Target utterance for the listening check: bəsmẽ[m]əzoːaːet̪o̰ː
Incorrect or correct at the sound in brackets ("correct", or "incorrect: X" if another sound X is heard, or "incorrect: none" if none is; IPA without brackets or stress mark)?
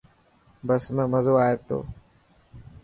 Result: correct